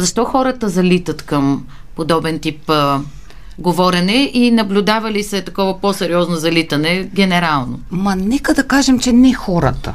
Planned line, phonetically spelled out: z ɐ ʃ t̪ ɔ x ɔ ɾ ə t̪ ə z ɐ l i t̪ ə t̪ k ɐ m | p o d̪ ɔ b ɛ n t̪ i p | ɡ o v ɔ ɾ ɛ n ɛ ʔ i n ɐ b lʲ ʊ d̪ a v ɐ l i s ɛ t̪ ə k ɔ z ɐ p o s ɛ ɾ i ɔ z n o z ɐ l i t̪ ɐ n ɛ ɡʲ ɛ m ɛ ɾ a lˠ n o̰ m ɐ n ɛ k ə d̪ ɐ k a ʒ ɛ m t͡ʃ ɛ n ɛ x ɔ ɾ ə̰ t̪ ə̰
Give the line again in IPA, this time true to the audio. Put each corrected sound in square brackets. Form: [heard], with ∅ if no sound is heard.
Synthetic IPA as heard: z ɐ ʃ t̪ ɔ x ɔ ɾ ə t̪ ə z ɐ l i t̪ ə t̪ k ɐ m | p o d̪ ɔ b ɛ n t̪ i p | ɡ o v ɔ ɾ ɛ n ɛ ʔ i n ɐ b lʲ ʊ d̪ a v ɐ l i s ɛ t̪ [ɐ] k ɔ [v] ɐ p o s ɛ ɾ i ɔ z n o z ɐ l i t̪ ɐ n ɛ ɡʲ ɛ [n] ɛ ɾ a lˠ n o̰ m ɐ n ɛ k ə d̪ ɐ k a ʒ ɛ m t͡ʃ ɛ n ɛ x ɔ ɾ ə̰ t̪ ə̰